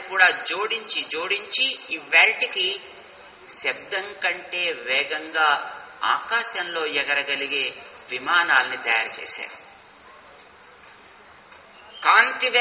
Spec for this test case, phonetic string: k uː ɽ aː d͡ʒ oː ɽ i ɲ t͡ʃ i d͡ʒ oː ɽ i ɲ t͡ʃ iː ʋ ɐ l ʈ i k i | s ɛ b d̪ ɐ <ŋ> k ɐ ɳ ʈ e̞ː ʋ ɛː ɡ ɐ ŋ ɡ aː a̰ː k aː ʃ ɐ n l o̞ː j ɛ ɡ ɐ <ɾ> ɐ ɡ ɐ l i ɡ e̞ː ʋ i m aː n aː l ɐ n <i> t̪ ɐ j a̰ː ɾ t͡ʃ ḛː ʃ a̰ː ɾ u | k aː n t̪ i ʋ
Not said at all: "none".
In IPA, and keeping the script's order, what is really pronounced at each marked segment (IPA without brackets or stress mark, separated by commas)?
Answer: ŋ, ɾ, i